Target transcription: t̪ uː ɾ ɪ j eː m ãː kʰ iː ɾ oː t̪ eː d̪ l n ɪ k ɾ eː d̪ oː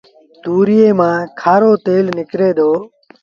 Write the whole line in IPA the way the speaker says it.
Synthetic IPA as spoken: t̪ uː ɾ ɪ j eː m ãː kʰ aː ɾ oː t̪ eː l n ɪ k ɾ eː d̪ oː